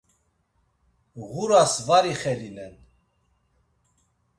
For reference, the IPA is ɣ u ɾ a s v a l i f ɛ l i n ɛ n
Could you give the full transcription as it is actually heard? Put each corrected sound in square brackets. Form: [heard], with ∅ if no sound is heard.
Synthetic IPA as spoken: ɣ u ɾ a s v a [ɾ] i [χ] ɛ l i n ɛ n